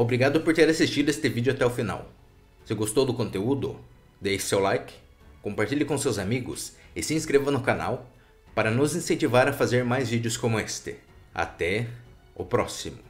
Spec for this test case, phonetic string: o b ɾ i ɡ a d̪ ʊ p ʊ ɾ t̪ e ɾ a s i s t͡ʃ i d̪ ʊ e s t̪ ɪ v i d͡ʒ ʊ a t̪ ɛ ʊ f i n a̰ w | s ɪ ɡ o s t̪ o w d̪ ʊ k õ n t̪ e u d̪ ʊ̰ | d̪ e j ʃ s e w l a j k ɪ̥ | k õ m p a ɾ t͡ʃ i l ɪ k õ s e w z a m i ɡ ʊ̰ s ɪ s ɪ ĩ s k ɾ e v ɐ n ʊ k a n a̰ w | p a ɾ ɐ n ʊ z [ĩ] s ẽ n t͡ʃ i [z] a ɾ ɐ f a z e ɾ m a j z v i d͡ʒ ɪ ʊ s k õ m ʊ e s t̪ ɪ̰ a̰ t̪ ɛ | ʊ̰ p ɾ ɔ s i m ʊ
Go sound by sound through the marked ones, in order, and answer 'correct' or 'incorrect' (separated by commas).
correct, incorrect